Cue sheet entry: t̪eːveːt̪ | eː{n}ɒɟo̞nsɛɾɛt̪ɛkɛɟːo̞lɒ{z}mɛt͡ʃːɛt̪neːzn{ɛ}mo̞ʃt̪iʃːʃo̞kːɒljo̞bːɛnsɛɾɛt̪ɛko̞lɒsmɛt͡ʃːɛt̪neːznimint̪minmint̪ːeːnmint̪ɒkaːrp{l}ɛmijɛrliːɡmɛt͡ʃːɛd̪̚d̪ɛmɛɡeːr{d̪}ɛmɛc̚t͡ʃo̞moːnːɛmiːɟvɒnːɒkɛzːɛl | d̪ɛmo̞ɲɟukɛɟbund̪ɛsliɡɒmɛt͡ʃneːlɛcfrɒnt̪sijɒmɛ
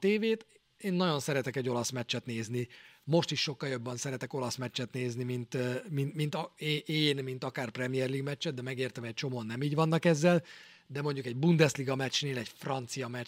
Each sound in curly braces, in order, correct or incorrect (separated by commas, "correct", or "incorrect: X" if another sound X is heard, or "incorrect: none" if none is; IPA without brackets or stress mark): incorrect: nː, incorrect: s, incorrect: i, incorrect: r, incorrect: t̪